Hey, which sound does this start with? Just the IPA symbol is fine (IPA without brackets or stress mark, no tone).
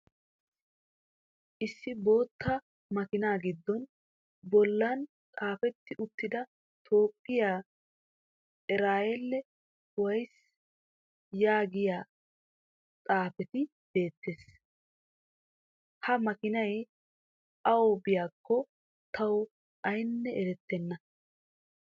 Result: ʔ